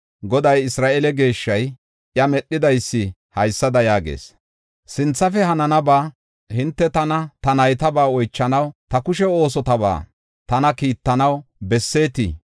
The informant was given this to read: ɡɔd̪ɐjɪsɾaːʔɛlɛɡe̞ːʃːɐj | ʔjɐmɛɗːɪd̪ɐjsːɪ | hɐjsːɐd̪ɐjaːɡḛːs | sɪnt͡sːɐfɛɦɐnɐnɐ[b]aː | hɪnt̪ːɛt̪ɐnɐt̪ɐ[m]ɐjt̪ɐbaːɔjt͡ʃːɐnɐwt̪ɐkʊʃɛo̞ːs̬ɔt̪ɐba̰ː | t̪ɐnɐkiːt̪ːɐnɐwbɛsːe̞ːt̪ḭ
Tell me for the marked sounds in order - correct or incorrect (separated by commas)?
correct, incorrect